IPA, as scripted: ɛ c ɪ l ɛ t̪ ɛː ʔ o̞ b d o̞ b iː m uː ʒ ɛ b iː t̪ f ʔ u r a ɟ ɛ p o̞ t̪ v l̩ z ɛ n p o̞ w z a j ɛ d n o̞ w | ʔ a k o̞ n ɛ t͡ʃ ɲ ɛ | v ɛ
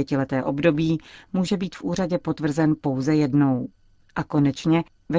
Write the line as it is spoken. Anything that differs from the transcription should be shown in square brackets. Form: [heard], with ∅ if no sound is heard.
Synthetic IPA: ɛ c ɪ l ɛ t̪ ɛː ʔ o̞ b d o̞ b iː m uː ʒ ɛ b iː t̪ f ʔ [uː] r a ɟ ɛ p o̞ t̪ v [r̩] z ɛ n p o̞ w z [ɛ] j ɛ d n o̞ w | ʔ a k o̞ n ɛ t͡ʃ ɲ ɛ | v ɛ